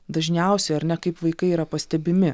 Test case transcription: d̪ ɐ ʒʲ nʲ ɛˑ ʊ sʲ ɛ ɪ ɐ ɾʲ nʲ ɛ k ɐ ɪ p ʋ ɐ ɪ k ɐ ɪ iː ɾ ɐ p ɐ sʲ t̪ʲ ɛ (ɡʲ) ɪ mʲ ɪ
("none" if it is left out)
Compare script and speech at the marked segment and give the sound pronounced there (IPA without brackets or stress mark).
bʲ